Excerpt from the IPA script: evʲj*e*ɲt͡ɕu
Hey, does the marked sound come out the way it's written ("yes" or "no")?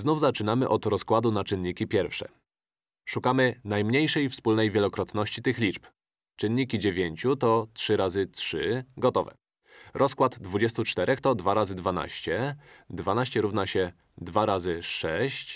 yes